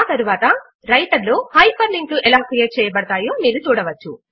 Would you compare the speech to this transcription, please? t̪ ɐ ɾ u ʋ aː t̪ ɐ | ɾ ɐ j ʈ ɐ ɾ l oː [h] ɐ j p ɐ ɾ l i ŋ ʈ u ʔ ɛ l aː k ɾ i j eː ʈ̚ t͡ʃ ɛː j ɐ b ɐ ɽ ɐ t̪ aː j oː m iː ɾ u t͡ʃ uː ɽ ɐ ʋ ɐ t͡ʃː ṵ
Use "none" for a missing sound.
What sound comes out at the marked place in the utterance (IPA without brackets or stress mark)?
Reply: h